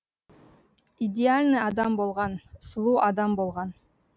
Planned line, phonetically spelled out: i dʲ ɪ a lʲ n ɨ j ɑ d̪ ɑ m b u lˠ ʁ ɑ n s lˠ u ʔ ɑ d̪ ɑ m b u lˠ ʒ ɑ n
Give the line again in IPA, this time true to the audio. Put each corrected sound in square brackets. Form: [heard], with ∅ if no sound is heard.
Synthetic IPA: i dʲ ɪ a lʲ n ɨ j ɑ d̪ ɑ m b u lˠ ʁ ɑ n s lˠ u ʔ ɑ d̪ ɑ m b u lˠ [ʁ] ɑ n

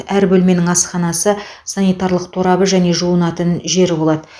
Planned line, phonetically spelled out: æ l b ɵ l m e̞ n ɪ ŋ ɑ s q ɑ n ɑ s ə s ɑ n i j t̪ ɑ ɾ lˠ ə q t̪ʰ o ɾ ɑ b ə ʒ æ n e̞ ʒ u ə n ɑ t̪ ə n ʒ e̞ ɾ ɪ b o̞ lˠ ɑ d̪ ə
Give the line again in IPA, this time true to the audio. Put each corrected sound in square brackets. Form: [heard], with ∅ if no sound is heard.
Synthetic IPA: æ [ɾ] b ɵ l m e̞ n ɪ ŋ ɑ s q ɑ n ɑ s ə s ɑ n i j t̪ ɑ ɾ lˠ ə q t̪ʰ o ɾ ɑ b ə ʒ æ n e̞ ʒ u ə n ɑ t̪ ə n ʒ e̞ ɾ ɪ b o̞ lˠ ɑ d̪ ə

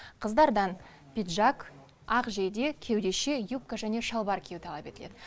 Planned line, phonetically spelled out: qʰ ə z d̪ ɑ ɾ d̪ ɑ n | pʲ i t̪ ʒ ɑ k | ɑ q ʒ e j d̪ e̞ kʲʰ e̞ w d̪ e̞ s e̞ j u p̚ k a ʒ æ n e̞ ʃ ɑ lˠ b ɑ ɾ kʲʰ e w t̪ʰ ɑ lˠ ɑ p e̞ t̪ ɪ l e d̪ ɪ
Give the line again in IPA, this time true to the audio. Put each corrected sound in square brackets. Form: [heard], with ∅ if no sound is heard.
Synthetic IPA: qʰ ə z d̪ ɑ ɾ d̪ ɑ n | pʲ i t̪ ʒ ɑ k | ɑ q ʒ e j d̪ e̞ kʲʰ e̞ w d̪ e̞ [ʃ] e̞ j u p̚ k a ʒ æ n e̞ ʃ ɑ lˠ b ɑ ɾ kʲʰ e w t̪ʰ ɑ lˠ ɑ p e̞ t̪ ɪ l e d̪ ɪ

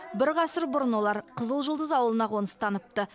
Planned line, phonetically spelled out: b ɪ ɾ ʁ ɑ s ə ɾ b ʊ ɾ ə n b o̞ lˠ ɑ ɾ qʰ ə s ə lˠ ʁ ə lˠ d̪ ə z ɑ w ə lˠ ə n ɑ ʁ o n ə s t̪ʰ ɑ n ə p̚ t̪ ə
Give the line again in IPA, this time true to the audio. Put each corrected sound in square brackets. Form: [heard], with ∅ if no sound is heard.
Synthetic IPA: b ɪ ɾ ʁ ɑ s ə ɾ b ʊ ɾ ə n [w] o̞ lˠ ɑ ɾ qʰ ə [z] ə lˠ [ʒ] ə lˠ d̪ ə z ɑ w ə lˠ ə n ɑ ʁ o n ə s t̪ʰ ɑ n ə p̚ t̪ ə

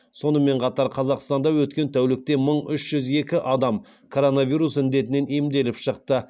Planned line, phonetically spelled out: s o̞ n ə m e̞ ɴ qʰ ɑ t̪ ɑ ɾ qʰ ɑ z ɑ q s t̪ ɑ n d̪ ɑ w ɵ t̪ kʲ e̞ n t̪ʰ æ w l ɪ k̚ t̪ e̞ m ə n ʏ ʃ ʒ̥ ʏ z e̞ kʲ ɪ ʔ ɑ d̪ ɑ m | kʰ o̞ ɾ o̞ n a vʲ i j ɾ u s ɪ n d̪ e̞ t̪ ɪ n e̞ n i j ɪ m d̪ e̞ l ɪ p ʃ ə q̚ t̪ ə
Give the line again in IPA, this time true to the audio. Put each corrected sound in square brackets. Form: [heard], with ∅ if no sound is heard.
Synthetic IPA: s o̞ n ə m e̞ ɴ qʰ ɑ t̪ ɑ ɾ qʰ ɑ z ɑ q s t̪ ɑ n d̪ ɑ w ɵ t̪ kʲ e̞ n t̪ʰ æ w l ɪ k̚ t̪ e̞ m ə [ɴ] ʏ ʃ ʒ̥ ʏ z e̞ kʲ ɪ ʔ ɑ d̪ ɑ m | kʰ o̞ ɾ o̞ n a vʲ i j ɾ u s ɪ n d̪ e̞ t̪ ɪ n e̞ n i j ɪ m d̪ e̞ l ɪ p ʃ ə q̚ t̪ ə

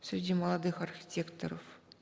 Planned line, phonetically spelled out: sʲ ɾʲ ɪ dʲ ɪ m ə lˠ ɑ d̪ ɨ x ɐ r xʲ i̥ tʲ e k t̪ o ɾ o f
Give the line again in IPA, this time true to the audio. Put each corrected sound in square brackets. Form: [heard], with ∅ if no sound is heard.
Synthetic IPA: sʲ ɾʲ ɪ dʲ [i] m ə lˠ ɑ d̪ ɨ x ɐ r xʲ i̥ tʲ e k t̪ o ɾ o f

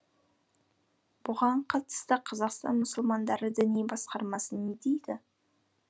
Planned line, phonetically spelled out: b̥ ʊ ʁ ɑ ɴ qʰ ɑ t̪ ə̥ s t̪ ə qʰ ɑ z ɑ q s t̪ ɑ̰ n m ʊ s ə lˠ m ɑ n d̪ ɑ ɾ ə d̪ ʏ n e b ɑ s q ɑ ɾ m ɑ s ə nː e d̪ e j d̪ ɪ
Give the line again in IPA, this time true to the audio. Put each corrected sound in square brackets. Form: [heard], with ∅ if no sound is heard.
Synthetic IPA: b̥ ʊ ʁ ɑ ɴ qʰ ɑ t̪ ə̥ s t̪ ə qʰ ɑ z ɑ q s t̪ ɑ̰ n m ʊ s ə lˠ m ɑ n d̪ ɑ ɾ ə d̪ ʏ n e b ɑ s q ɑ ɾ m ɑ s ə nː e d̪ e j d̪ ɪ

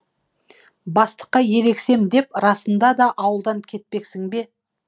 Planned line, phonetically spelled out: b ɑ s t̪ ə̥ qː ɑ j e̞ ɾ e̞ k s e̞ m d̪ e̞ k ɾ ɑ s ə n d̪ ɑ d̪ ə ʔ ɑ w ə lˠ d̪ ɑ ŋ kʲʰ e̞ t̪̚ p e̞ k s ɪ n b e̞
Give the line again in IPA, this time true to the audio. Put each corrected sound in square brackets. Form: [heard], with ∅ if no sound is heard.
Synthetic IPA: b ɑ s t̪ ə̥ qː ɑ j e̞ ɾ e̞ k s e̞ m d̪ e̞ [p] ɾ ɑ s ə n d̪ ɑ d̪ [ɑ] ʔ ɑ w ə lˠ d̪ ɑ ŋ kʲʰ e̞ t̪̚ p e̞ k s ɪ [ŋ] b e̞

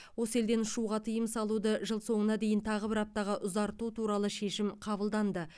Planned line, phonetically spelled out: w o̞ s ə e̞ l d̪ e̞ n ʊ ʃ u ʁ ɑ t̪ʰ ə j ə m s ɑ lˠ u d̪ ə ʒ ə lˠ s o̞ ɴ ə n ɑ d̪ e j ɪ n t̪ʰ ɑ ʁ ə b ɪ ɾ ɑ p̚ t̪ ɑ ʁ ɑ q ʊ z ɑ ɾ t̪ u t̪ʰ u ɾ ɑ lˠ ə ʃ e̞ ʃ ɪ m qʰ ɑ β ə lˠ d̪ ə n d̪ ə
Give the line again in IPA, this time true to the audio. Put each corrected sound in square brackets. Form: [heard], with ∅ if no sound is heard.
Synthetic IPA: w o̞ s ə e̞ l d̪ e̞ n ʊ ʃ u ʁ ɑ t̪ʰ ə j ə m s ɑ lˠ u d̪ ə ʒ ə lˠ s o̞ ɴ ə n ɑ d̪ e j ɪ n t̪ʰ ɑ ʁ ə b ɪ ɾ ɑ p̚ t̪ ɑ ʁ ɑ [ʔ] ʊ z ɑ ɾ t̪ u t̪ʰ u ɾ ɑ lˠ ə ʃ e̞ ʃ ɪ m qʰ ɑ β ə lˠ d̪ [ɑ] n d̪ ə

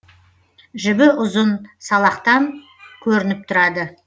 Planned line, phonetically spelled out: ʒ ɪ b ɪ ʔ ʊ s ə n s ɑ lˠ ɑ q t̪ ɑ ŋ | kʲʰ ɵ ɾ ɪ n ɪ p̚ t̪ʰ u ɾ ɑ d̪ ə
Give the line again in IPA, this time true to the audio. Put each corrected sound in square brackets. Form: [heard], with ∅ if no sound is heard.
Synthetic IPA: ʒ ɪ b ɪ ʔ ʊ [z] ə n s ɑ lˠ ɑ q t̪ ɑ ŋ | kʲʰ ɵ ɾ ɪ n ɪ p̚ t̪ʰ [ʊ] ɾ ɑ d̪ ə

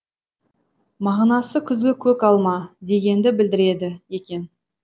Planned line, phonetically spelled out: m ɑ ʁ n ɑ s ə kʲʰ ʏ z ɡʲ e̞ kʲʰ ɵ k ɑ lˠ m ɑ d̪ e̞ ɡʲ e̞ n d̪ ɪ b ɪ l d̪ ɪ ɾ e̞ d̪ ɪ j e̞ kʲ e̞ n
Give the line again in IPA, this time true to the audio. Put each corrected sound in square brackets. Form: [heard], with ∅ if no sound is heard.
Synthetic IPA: m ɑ ʁ n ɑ s ə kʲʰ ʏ z ɡʲ e̞ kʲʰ ɵ k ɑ lˠ m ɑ d̪ e̞ ɡʲ e̞ n d̪ ɪ b ɪ l d̪ ɪ ɾ e̞ d̪ ɪ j e̞ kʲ e̞ n

